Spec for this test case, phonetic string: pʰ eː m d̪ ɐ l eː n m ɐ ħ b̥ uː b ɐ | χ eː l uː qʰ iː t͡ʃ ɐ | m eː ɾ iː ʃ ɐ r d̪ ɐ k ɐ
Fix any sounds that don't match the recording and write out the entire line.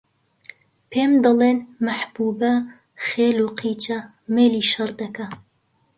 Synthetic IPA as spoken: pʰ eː m d̪ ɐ l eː n m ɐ ħ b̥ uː b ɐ | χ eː l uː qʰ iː t͡ʃ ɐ | m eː l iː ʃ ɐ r d̪ ɐ k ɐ